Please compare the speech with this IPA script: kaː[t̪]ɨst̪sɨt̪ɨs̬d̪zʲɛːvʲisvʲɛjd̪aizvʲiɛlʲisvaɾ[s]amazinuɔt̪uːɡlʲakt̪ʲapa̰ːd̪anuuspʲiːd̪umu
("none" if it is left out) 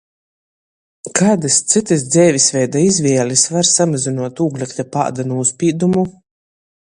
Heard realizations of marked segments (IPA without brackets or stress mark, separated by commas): d̪, s